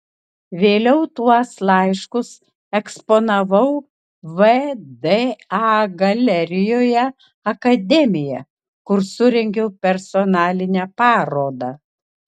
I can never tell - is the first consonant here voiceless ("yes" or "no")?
no